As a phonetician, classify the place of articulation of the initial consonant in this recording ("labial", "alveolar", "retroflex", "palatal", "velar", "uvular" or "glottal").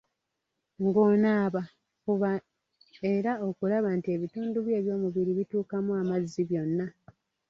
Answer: velar